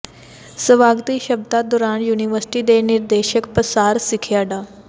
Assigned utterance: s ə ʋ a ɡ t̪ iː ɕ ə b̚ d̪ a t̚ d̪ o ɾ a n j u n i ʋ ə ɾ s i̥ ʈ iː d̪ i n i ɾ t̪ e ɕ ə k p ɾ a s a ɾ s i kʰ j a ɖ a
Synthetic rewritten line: s ə ʋ a ɡ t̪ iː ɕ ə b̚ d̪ a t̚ d̪ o ɾ a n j u n i ʋ ə ɾ s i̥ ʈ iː d̪ e n i ɾ d̪ e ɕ ə k p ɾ ə s a ɾ s i kʰ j a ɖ a